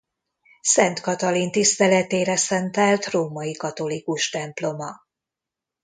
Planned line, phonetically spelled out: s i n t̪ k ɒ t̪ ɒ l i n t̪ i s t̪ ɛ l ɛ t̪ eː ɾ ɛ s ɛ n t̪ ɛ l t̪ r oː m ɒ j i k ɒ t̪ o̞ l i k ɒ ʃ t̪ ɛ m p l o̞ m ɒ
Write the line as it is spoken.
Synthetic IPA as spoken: s ɛ n t̪ k ɒ t̪ ɒ l i n t̪ i s t̪ ɛ l ɛ t̪ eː ɾ ɛ s ɛ n t̪ ɛ l t̪ r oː m ɒ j i k ɒ t̪ o̞ l i k u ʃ t̪ ɛ m p l o̞ m ɒ